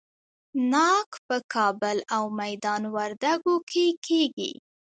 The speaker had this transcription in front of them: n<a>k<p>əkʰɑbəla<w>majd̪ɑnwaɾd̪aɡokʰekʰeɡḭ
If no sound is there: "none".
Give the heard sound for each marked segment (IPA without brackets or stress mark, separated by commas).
ɑ, p, w